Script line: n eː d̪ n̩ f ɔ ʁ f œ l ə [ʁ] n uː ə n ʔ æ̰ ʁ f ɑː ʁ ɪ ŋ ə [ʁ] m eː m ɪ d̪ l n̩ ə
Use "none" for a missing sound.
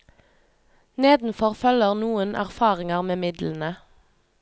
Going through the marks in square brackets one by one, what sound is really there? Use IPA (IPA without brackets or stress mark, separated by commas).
ʁ, ʁ